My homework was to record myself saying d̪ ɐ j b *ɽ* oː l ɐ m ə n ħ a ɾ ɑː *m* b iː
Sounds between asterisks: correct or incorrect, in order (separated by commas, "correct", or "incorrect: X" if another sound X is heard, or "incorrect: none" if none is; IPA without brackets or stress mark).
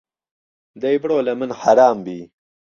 correct, correct